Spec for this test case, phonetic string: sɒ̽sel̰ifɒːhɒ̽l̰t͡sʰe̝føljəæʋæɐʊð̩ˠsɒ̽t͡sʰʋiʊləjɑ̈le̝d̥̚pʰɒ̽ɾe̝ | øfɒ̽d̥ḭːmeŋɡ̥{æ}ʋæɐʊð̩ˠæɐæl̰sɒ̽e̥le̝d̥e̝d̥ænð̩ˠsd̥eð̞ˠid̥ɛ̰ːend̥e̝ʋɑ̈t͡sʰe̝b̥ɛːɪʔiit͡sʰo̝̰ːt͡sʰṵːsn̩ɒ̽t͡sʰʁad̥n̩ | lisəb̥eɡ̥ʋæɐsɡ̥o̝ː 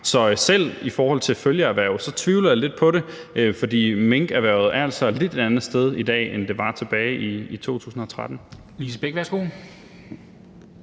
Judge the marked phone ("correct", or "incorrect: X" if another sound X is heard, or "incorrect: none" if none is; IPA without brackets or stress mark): correct